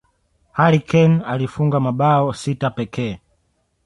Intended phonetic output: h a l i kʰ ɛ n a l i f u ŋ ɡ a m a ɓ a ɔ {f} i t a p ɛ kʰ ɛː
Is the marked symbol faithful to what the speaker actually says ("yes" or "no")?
no